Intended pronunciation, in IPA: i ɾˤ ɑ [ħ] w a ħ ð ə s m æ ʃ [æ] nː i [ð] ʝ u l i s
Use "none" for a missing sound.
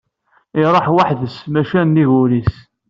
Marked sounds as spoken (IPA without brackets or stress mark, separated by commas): ħ, æ, none